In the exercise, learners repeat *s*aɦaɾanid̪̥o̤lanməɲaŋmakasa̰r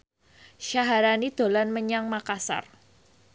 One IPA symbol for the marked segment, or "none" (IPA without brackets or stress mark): ʃ